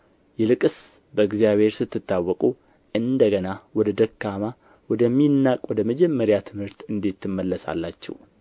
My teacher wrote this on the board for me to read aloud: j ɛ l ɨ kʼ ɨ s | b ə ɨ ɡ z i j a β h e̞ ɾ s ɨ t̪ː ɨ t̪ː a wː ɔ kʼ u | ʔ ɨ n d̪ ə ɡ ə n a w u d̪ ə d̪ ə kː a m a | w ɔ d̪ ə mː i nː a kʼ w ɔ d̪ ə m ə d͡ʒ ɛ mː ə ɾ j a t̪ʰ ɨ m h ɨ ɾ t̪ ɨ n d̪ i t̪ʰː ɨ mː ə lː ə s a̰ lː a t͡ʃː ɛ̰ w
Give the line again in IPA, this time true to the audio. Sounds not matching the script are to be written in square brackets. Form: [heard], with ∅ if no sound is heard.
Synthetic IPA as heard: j ɛ l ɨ kʼ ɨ s | b ə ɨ ɡ z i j a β h e̞ ɾ s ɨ t̪ː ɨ t̪ː a wː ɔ kʼ u | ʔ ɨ n d̪ ə ɡ ə n a w [ɔ] d̪ ə d̪ ə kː a m a | w ɔ d̪ ə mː i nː a kʼ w ɔ d̪ ə m ə d͡ʒ ɛ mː ə ɾ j a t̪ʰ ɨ m h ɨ ɾ t̪ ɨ n d̪ i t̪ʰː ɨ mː ə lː ə s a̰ lː a t͡ʃː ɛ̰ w

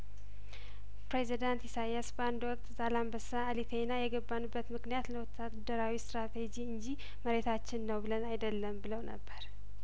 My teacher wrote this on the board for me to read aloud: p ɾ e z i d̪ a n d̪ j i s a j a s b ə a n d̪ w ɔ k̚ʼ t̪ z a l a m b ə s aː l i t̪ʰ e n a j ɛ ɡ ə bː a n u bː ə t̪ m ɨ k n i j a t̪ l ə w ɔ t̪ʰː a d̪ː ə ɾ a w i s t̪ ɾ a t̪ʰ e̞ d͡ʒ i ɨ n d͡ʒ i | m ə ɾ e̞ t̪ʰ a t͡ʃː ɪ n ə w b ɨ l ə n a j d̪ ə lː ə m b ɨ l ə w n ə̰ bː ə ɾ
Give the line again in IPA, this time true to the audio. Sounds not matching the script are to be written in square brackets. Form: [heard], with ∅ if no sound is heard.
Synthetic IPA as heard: p ɾ e z i d̪ a n [t̪] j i s a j a s b ə a n d̪ w ɔ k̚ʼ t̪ z a l a m b ə s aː l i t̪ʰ e n a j ɛ ɡ ə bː a n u bː ə t̪ m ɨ k n i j a t̪ l ə w ɔ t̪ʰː a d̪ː ə ɾ a w i s t̪ ɾ a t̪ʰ e̞ d͡ʒ i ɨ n d͡ʒ i | m ə ɾ e̞ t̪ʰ a t͡ʃː ɪ [nː] ə w b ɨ l ə n a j d̪ ə lː ə m b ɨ l ə w n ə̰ bː ə ɾ

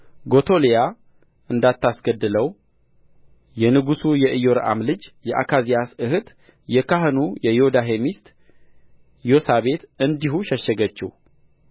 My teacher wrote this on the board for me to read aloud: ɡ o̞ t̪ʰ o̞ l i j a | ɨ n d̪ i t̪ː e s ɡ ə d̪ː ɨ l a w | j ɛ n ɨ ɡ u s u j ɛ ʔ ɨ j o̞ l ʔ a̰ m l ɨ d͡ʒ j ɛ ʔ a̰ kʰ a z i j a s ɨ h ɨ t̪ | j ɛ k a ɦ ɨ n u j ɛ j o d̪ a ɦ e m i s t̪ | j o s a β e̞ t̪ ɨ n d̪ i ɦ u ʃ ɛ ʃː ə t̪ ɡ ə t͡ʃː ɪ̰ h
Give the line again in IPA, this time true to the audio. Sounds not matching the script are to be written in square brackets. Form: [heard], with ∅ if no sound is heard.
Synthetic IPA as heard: ɡ o̞ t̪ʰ o̞ l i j a | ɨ n d̪ [a] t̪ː [a] s ɡ ə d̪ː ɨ l [ə] w | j ɛ n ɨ ɡ u s u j ɛ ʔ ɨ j o̞ [ɾ] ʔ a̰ m l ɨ d͡ʒ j ɛ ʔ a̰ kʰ a z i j a s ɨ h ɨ t̪ | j ɛ k a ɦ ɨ n u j ɛ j o d̪ a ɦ e m i s t̪ | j o s a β e̞ t̪ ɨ n d̪ i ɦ u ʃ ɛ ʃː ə [∅] ɡ ə t͡ʃː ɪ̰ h

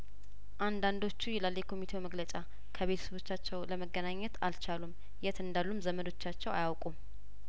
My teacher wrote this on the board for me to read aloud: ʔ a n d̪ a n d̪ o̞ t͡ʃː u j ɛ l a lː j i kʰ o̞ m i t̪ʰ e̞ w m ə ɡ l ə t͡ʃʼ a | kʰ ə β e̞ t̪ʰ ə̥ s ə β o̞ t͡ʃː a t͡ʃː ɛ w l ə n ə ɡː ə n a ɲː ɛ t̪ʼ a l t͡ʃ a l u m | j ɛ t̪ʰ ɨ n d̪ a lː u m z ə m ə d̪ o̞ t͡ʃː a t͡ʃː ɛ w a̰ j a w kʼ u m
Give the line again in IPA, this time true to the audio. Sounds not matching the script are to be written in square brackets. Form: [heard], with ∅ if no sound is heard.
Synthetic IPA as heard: ʔ a n d̪ a n d̪ o̞ t͡ʃː u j ɛ l a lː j [ɛ] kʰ o̞ m i t̪ʰ e̞ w m ə ɡ l ə t͡ʃʼ a | kʰ ə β e̞ t̪ʰ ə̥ s ə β o̞ t͡ʃː a t͡ʃː ɛ w l ə [m] ə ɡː ə n a ɲː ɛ [t̪] a l t͡ʃ a l u m | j ɛ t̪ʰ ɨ n d̪ a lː u m z ə m ə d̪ o̞ t͡ʃː a t͡ʃː ɛ w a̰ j a w kʼ u m

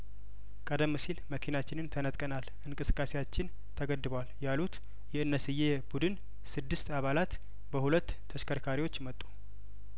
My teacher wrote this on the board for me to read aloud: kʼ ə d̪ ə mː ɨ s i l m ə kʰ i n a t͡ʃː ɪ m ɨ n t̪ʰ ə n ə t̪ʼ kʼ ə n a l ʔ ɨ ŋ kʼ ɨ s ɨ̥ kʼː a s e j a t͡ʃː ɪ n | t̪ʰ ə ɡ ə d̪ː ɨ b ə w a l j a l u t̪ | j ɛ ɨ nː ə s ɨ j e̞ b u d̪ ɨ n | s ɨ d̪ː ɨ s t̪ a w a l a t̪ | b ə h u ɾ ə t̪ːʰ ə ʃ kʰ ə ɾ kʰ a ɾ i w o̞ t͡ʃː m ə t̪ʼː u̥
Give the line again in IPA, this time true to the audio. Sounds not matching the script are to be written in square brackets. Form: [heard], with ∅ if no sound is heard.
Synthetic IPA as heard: kʼ ə d̪ ə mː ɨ s i l m ə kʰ i n a t͡ʃː ɪ [n] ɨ n t̪ʰ ə n ə t̪ʼ kʼ ə n a l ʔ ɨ ŋ kʼ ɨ s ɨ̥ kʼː a s e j a t͡ʃː ɪ n | t̪ʰ ə ɡ ə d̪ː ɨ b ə w a l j a l u t̪ | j ɛ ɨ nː ə s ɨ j e̞ b u d̪ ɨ n | s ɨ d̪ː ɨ s t̪ a [β] a l a t̪ | b ə h u [l] ə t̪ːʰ ə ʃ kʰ ə ɾ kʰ a ɾ i w o̞ t͡ʃː m ə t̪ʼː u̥

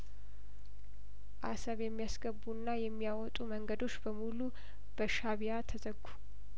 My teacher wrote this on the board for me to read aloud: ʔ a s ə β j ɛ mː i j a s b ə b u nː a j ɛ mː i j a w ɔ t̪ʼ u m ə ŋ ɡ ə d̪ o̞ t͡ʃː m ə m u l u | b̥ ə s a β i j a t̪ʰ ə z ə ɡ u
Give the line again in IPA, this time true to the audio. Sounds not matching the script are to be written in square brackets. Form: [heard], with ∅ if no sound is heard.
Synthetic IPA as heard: ʔ a s ə β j ɛ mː i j a s [ɡ] ə b u nː a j ɛ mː i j a w ɔ t̪ʼ u m ə ŋ ɡ ə d̪ o̞ t͡ʃː [b] ə m u l u | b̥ ə [ʃ] a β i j a t̪ʰ ə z ə ɡ u

